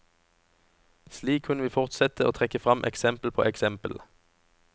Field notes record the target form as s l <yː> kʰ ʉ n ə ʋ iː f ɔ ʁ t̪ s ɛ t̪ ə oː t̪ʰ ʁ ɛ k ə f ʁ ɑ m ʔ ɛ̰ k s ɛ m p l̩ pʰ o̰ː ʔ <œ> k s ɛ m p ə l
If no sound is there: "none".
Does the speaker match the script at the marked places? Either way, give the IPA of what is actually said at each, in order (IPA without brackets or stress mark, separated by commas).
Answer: iː, ɛ